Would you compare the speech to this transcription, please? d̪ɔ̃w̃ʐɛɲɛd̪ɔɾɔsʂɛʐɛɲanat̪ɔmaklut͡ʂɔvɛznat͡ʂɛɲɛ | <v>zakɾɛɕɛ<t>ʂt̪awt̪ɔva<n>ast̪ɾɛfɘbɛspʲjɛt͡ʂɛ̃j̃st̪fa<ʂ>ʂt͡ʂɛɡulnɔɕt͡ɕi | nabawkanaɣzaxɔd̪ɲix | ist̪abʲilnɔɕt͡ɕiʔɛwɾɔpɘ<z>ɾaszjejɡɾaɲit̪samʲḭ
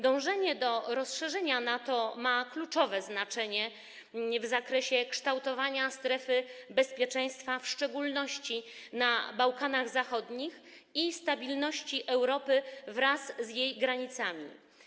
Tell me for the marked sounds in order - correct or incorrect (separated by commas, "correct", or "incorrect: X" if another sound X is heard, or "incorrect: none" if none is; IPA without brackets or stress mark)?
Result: correct, incorrect: k, incorrect: ɲ, incorrect: f, incorrect: v